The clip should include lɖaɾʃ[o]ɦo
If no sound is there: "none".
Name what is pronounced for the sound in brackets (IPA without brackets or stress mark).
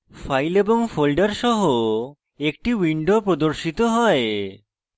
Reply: ɔ